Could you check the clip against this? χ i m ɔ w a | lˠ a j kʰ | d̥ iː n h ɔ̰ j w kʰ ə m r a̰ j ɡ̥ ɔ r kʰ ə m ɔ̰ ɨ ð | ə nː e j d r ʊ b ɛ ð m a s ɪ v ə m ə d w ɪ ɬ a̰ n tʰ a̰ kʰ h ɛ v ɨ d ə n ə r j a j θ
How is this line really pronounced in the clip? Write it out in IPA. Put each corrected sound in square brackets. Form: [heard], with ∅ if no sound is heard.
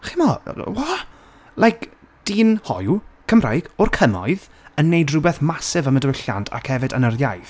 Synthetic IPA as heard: χ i m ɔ w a | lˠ a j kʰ | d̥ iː n h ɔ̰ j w kʰ ə m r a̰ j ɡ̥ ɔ r kʰ ə m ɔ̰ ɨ ð | ə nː e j d r ʊ b ɛ [θ] m a s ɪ v ə m ə d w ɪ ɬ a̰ n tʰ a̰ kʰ h ɛ v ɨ d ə n ə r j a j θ

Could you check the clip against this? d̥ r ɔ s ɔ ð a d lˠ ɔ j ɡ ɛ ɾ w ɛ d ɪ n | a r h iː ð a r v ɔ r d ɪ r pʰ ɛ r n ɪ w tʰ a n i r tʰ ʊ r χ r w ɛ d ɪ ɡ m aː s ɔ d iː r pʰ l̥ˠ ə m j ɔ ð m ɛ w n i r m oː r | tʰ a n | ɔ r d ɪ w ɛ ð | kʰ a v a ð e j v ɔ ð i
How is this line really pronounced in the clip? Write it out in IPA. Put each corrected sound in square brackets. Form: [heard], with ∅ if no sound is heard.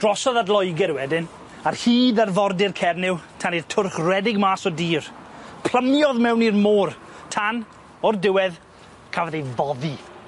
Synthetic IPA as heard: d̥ r ɔ s ɔ ð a d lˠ ɔ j ɡ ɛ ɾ w ɛ d ɪ n | a r h iː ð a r v ɔ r d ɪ r [kʰ] ɛ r n ɪ w tʰ a n i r tʰ ʊ r χ r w ɛ d ɪ ɡ m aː s ɔ d iː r pʰ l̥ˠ ə m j ɔ ð m ɛ w n i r m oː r | tʰ a n | ɔ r d ɪ w ɛ ð | kʰ a v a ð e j v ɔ ð i

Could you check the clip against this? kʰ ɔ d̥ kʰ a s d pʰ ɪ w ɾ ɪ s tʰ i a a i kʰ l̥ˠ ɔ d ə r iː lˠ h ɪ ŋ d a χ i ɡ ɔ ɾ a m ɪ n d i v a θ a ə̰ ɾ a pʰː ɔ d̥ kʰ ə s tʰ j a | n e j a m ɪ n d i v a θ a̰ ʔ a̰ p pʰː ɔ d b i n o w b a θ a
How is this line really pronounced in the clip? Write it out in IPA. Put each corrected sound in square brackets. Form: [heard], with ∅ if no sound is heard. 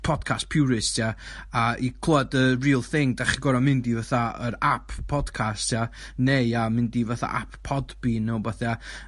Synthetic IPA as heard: [pʰ] ɔ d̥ kʰ a s [t] pʰ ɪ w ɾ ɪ s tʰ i a a i kʰ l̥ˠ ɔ d ə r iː lˠ [θ] ɪ ŋ d a χ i ɡ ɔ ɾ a m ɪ n d i v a θ a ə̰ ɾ a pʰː ɔ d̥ kʰ [a] s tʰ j a | n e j a m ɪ n d i v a θ a̰ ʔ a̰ p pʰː ɔ d b i n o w b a θ a

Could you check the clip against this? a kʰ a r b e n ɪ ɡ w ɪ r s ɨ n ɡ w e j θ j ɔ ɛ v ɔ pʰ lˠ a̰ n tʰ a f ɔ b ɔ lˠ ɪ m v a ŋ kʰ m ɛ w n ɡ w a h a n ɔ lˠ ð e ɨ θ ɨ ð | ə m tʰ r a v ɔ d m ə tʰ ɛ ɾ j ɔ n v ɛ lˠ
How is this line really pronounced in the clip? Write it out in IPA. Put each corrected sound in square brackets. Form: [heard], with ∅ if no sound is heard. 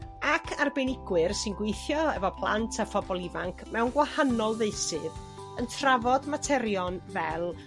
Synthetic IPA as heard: a kʰ a r b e n ɪ ɡ w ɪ r s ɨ n ɡ w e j θ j ɔ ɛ v ɔ pʰ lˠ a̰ n tʰ a f ɔ b ɔ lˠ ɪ [∅] v a ŋ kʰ m ɛ w n ɡ w a h a n ɔ lˠ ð e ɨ [s] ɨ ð | ə [n] tʰ r a v ɔ d m [a] tʰ ɛ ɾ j ɔ n v ɛ lˠ

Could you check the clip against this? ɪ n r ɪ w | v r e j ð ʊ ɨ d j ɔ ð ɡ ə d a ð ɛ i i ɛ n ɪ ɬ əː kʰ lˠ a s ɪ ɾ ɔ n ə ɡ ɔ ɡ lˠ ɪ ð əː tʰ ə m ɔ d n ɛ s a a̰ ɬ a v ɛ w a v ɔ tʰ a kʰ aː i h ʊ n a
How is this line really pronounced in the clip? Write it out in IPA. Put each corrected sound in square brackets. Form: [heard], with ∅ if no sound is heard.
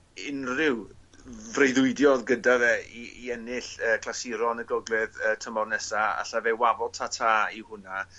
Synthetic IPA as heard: ɪ n r ɪ w | v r e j ð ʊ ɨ d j ɔ ð ɡ ə d a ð ɛ i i ɛ n ɪ ɬ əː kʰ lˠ a s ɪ ɾ ɔ n ə ɡ ɔ ɡ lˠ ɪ ð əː tʰ ə m ɔ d n ɛ s a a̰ ɬ a v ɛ w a v ɔ tʰ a [tʰ] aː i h ʊ n a

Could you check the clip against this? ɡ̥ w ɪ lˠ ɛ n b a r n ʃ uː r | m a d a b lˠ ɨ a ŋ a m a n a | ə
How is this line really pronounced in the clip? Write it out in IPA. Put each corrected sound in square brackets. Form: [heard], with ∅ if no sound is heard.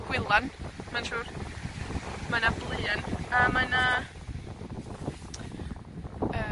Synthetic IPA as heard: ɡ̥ w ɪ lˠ [a] n [m] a [∅] n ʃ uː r | m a [n] a b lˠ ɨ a [n] a m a n a | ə

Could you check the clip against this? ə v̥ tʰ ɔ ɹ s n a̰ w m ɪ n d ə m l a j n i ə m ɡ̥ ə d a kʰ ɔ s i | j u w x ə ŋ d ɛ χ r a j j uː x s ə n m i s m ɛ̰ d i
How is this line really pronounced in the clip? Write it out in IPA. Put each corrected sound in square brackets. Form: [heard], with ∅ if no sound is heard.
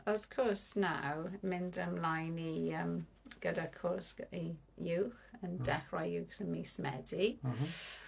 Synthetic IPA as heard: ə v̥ [kʰ] ɔ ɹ s n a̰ w m ɪ n d ə m l a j n i ə m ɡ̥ ə d a kʰ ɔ s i | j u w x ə [n] d ɛ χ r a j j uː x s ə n m i s m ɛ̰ d i

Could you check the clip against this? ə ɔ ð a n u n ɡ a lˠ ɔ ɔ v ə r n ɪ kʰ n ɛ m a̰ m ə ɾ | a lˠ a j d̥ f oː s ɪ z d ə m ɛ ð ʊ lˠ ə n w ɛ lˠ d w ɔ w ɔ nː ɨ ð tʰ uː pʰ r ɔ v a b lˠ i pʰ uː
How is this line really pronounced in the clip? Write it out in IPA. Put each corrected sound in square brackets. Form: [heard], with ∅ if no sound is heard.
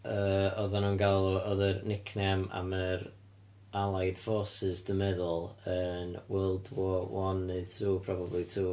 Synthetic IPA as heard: ə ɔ ð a n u n ɡ a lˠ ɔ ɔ [ð] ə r n ɪ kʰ n ɛ m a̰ m ə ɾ | a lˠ a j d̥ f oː s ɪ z d ə m ɛ ð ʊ lˠ ə n w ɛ lˠ d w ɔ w ɔ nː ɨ ð tʰ uː pʰ r ɔ [b] a b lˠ i [tʰ] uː

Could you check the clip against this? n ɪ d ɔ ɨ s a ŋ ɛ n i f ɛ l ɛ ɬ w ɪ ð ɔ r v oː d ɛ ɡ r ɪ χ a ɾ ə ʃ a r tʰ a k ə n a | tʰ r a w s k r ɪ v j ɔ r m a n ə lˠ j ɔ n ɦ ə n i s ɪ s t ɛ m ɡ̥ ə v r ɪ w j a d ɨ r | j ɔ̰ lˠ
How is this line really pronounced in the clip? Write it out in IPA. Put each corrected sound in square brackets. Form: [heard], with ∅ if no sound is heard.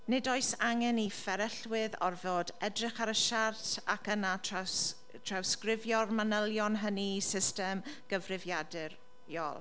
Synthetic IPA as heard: n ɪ d ɔ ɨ s a ŋ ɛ n i f ɛ [ɾ] ɛ ɬ w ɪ ð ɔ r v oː d ɛ [d] r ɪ χ a ɾ ə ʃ a r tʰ a k ə n a | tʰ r a w s k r ɪ v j ɔ r m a n ə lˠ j ɔ n ɦ ə n i s ɪ s t ɛ m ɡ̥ ə v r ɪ [v] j a d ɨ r | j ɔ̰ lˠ

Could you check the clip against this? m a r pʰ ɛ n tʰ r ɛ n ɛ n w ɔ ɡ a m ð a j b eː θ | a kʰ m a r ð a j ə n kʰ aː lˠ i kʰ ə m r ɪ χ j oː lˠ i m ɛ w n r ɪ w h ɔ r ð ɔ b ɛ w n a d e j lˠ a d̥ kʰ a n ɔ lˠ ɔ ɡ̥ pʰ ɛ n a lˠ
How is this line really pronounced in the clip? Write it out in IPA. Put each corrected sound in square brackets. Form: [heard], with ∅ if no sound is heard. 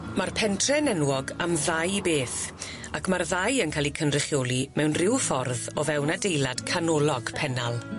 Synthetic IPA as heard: m a r pʰ ɛ n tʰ r ɛ n ɛ n w ɔ ɡ a m ð a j b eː θ | a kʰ m a r ð a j ə n kʰ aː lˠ i kʰ ə [n] r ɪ χ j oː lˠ i m ɛ w n r ɪ w [f] ɔ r ð ɔ [v] ɛ w n a d e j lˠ a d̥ kʰ a n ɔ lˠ ɔ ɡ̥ pʰ ɛ n a lˠ

